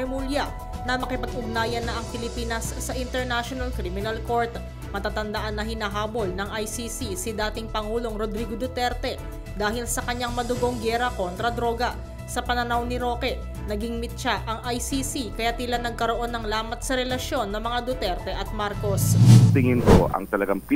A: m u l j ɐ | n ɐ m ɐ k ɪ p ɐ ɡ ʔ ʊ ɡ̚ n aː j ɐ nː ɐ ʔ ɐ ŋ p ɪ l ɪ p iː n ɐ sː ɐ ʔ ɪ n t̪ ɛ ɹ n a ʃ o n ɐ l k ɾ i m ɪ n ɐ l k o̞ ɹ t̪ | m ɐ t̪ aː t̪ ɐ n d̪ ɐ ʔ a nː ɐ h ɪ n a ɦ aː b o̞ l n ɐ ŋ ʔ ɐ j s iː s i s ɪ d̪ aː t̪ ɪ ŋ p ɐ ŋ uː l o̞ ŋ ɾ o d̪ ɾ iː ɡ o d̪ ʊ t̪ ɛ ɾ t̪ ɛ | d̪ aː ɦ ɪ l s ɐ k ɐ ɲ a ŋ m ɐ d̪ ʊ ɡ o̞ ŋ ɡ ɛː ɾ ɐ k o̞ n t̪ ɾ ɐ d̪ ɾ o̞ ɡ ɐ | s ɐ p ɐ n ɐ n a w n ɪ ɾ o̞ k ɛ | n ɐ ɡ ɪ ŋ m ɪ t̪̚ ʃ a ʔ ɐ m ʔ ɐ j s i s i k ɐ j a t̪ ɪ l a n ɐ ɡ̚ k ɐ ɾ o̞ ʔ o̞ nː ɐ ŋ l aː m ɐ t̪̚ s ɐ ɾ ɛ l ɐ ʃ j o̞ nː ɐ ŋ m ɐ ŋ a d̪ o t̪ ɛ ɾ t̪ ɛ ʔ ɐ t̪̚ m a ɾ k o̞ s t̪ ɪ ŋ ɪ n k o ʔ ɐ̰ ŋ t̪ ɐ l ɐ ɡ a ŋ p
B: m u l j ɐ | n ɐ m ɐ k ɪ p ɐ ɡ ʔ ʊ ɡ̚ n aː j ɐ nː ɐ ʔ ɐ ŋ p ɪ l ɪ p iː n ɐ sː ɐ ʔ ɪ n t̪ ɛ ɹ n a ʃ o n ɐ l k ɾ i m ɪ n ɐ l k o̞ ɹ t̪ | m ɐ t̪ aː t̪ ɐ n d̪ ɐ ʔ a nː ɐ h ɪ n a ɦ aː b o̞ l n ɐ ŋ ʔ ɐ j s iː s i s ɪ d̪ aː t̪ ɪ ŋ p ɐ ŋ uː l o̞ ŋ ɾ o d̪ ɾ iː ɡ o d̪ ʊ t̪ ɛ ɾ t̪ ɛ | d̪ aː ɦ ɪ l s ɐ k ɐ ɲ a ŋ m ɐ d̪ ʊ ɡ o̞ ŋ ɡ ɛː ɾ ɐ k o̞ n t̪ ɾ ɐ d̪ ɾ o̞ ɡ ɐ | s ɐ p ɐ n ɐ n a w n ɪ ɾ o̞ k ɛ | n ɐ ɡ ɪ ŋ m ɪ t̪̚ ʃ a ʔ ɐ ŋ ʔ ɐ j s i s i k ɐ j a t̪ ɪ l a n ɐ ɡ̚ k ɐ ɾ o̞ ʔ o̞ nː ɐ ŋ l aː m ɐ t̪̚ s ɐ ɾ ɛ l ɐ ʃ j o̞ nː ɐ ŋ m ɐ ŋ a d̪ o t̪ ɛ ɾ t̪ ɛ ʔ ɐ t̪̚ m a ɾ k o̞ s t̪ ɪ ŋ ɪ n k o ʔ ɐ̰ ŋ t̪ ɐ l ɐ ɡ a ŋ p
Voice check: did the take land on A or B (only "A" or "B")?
B